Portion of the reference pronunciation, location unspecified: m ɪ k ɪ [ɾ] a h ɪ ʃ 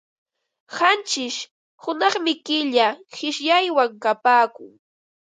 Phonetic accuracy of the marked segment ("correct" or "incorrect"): incorrect